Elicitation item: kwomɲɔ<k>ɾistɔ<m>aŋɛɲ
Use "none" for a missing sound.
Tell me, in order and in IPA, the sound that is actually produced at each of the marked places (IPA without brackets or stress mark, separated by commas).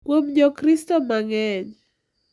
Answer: k, m